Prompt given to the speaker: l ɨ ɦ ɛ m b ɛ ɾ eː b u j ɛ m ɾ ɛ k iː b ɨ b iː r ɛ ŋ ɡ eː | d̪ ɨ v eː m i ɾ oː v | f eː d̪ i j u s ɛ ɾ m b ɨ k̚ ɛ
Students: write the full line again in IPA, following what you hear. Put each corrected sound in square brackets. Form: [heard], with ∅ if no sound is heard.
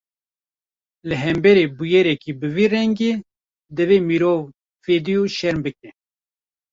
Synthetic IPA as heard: l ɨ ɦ ɛ m b ɛ ɾ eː b u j ɛ [∅] ɾ ɛ k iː b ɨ [v] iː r ɛ ŋ ɡ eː | d̪ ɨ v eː m i ɾ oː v | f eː d̪ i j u [ʃ] ɛ ɾ m b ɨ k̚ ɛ

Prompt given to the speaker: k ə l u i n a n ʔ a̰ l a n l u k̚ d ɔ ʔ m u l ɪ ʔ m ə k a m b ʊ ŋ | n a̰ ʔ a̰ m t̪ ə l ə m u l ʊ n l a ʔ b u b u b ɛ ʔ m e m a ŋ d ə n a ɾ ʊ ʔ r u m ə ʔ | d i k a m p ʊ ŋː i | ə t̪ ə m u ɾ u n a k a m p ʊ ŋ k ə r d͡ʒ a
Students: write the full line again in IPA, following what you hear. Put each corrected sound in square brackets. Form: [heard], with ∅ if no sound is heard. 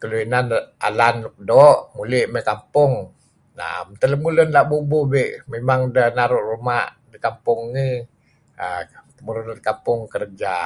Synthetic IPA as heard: k ə l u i n a n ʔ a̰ l a n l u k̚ d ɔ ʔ m u l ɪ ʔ m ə k a m [p] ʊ ŋ | n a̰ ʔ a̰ m t̪ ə l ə m u l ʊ n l a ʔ b u b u b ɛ ʔ m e m a ŋ d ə n a ɾ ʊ ʔ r u m [a] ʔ | d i k a m p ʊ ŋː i | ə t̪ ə m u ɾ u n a k a m p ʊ ŋ k ə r d͡ʒ a

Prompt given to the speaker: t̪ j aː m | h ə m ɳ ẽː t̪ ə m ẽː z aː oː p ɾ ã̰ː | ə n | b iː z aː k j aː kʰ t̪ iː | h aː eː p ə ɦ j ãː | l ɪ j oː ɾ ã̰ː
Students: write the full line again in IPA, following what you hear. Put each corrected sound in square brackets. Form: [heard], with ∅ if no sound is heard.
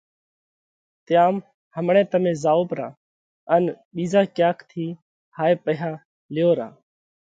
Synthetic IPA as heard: t̪ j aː m | h ə m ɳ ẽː t̪ ə m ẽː z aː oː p ɾ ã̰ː | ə n | [ɓ] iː z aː k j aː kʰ [t̪ʰ] iː | h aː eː p ə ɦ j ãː | l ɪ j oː ɾ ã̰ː

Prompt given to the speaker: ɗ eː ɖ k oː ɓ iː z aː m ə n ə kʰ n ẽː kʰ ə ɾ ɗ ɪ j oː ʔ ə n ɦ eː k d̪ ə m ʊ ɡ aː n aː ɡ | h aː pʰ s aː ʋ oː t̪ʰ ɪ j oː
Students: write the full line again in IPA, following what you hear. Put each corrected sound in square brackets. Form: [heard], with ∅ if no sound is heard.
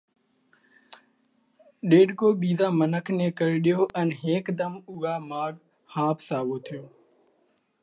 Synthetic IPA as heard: ɗ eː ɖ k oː ɓ iː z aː m ə n ə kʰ n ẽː [k] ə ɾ ɗ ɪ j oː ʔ ə n ɦ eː k d̪ ə m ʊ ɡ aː [m] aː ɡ | h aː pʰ s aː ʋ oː t̪ʰ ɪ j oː

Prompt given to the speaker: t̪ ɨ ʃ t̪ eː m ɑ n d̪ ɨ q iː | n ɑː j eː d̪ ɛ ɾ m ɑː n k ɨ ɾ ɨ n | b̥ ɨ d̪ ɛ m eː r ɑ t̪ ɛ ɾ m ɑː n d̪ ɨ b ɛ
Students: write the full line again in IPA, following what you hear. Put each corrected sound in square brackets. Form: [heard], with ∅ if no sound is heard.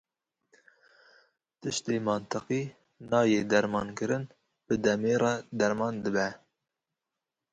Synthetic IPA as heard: t̪ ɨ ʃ t̪ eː m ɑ n [t̪] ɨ q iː | n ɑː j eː d̪ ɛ ɾ m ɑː n k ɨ ɾ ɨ n | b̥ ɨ d̪ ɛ m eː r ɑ [d̪] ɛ ɾ m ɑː n d̪ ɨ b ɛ

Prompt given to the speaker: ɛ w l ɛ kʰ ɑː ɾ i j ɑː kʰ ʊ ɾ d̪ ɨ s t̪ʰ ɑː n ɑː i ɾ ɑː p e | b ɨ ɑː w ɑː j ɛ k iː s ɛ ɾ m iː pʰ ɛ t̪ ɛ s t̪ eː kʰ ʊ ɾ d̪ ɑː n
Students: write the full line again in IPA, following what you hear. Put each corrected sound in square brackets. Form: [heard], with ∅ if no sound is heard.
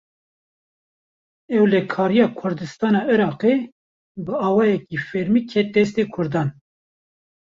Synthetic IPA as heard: ɛ w l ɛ kʰ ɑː ɾ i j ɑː kʰ ʊ ɾ d̪ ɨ s [t̪] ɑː n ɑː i ɾ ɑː [q] e | b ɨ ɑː w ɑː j ɛ k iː [f] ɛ ɾ m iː [kʰ] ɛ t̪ ɛ s t̪ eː kʰ ʊ ɾ d̪ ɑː n

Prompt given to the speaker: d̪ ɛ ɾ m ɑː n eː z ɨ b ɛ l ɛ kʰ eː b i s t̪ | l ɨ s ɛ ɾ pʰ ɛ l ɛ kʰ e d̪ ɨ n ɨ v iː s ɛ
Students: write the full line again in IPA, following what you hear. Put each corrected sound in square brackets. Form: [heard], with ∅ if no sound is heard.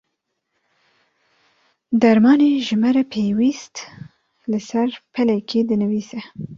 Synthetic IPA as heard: d̪ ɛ ɾ m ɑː n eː [ʒ] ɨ [m] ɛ [ɾ] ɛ [pʰ] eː [w] i s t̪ | l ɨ s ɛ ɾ pʰ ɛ l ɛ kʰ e d̪ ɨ n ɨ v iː s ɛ

